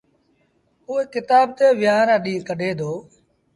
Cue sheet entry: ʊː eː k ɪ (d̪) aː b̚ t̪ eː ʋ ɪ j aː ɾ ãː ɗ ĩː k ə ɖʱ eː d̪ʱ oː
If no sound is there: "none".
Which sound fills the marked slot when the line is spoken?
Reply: t̪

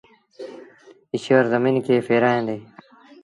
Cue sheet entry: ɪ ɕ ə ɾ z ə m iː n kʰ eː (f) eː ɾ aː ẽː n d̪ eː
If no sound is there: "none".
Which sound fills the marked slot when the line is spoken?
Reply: f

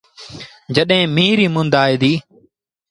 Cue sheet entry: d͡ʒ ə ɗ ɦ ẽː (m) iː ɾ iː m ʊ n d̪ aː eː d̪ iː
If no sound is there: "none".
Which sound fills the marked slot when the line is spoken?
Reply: m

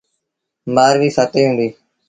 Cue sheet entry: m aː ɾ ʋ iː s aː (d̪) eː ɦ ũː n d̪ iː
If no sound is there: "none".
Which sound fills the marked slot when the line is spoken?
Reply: t̪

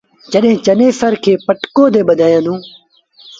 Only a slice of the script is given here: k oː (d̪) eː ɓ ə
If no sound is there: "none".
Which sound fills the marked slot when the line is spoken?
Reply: d̪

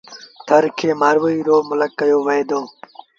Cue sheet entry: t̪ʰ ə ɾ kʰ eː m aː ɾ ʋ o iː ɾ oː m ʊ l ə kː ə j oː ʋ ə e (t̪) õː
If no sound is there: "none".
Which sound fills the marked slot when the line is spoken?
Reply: d̪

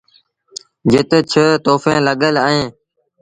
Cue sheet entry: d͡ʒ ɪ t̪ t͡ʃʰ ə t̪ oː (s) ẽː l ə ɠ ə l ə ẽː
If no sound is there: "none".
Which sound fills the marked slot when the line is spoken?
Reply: f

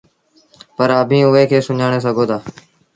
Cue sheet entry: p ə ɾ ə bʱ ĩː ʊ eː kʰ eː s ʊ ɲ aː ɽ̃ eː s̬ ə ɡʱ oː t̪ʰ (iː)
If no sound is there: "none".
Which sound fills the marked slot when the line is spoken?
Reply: aː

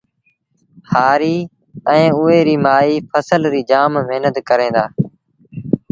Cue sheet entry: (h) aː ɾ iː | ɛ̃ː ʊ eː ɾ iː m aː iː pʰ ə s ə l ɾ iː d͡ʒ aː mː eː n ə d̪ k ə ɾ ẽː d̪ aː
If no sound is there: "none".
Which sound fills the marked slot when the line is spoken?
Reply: h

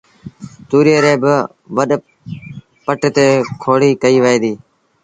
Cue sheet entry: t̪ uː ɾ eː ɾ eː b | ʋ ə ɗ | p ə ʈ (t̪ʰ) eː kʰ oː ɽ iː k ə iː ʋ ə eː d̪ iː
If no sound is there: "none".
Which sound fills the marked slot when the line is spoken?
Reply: t̪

